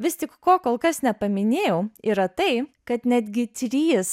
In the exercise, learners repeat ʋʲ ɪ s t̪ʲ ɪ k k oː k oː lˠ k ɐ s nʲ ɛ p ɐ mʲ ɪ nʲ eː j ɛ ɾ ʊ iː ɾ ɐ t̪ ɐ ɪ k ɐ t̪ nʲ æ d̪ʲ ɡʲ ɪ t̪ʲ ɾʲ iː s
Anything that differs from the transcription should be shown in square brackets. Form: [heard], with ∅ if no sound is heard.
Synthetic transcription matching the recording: ʋʲ ɪ s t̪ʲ ɪ k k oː k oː lˠ k ɐ s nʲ ɛ p ɐ mʲ ɪ nʲ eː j ɛ [∅] ʊ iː ɾ ɐ t̪ ɐ ɪ k ɐ t̪ nʲ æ d̪ʲ ɡʲ ɪ t̪ʲ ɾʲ iː s